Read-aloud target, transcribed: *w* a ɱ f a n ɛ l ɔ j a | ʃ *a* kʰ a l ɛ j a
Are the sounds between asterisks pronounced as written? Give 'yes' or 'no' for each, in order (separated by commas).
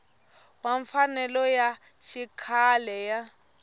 yes, no